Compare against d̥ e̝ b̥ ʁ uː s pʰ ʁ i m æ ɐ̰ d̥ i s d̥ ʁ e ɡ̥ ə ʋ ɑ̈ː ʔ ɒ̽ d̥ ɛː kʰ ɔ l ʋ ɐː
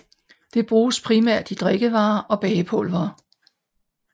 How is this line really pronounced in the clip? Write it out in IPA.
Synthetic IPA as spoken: d̥ e̝ b̥ ʁ uː s pʰ ʁ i m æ ɐ̰ d̥ i d̥ ʁ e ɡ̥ ə ʋ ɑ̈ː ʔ ɒ̽ b̥ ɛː pʰ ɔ l ʋ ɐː